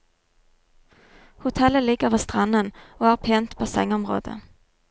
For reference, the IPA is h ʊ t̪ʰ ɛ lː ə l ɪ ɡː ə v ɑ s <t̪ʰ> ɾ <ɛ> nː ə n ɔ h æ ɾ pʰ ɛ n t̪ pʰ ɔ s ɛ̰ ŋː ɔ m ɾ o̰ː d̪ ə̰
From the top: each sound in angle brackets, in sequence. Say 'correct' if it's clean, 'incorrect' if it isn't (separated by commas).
incorrect, incorrect